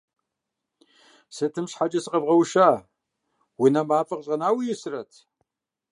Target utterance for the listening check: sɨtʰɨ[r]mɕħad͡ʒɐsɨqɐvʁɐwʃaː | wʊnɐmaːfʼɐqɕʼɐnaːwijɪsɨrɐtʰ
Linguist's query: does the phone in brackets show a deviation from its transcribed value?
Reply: yes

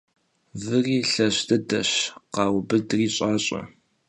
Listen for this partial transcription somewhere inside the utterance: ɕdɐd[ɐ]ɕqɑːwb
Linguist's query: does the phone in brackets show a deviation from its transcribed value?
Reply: no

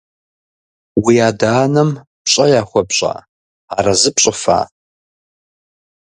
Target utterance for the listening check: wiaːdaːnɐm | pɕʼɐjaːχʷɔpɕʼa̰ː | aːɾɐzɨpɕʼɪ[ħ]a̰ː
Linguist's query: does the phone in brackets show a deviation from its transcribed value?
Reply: yes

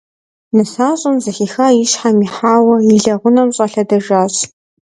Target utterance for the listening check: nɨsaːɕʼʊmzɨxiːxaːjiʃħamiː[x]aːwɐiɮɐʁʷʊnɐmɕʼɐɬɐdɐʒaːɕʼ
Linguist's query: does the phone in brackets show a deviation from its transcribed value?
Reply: yes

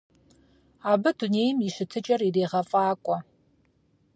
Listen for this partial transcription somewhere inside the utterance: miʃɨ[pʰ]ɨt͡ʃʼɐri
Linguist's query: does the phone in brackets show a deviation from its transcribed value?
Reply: yes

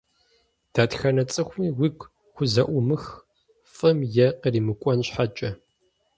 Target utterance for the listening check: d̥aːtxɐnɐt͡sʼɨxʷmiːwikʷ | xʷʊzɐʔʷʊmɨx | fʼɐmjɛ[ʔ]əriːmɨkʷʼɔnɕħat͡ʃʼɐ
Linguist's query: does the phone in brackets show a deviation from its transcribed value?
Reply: yes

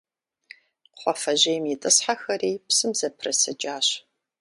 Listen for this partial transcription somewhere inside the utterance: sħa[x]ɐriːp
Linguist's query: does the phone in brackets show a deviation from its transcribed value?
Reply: no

